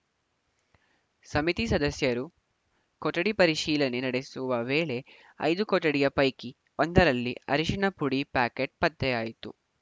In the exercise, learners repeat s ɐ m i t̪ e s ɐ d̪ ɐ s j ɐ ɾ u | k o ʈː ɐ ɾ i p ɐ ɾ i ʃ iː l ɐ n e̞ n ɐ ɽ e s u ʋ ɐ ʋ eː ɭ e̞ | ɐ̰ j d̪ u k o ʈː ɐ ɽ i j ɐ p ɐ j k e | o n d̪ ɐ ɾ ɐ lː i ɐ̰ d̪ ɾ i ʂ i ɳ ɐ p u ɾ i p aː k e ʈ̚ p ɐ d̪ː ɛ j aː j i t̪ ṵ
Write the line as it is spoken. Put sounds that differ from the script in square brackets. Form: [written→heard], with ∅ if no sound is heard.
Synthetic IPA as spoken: s ɐ m i t̪ [e→i] s ɐ d̪ ɐ s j ɐ ɾ u | k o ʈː ɐ [ɾ→ɽ] i p ɐ ɾ i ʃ iː l ɐ n e̞ n ɐ ɽ e s u ʋ ɐ ʋ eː ɭ e̞ | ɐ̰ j d̪ u k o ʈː ɐ ɽ i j ɐ p ɐ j k [e→i] | o n d̪ ɐ ɾ ɐ lː i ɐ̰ [d̪→∅] ɾ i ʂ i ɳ ɐ p u [ɾ→ɽ] i p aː k e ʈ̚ p ɐ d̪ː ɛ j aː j i t̪ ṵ